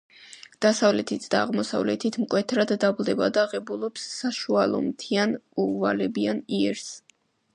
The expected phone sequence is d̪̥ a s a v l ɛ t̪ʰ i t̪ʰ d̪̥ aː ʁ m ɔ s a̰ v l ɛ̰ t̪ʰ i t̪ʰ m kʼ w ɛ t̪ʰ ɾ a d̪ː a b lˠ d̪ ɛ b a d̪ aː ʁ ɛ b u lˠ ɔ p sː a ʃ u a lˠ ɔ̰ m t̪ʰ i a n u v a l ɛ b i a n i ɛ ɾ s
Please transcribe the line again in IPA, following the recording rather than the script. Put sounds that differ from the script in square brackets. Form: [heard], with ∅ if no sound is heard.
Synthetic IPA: d̪̥ a s a v l ɛ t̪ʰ i t̪ʰ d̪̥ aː ʁ m ɔ s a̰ v l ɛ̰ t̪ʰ i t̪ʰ m kʼ w ɛ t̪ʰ ɾ a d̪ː a b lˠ d̪ ɛ b a d̪ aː ʁ ɛ b u lˠ ɔ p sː a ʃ u a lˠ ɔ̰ m t̪ʰ i a n u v a l ɛ b i a n i ɛ ɾ s